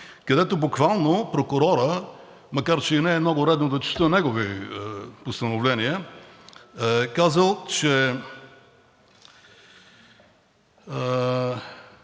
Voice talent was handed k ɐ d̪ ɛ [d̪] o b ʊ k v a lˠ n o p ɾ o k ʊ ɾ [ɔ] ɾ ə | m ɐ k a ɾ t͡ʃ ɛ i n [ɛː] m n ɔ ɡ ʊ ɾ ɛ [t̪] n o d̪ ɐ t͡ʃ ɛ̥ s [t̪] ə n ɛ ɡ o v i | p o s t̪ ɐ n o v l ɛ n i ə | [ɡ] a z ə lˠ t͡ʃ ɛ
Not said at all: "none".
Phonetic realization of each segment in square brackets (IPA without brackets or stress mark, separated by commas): t̪, ɔ, ɛː, d̪, t̪, k